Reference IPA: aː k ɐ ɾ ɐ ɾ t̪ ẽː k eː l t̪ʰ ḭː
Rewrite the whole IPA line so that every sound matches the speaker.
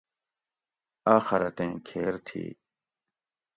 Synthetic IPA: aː x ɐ ɾ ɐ t̪ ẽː kʰ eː ɾ t̪ʰ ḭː